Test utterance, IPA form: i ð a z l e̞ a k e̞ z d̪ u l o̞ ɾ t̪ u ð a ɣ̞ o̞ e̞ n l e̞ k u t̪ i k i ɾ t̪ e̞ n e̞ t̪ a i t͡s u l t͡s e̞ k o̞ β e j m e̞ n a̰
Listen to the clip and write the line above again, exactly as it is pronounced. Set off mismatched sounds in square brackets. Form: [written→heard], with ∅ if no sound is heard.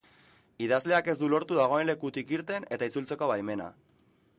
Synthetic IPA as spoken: i ð a z l e̞ a k e̞ z d̪ u l o̞ ɾ t̪ u ð a ɣ̞ o̞ e̞ n l e̞ k u t̪ i k i ɾ t̪ e̞ n e̞ t̪ a i t͡s u l t͡s e̞ k o̞ β [e→a] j m e̞ n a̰